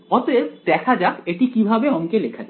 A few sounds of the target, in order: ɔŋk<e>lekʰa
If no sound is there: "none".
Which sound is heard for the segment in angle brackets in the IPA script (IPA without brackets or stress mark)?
e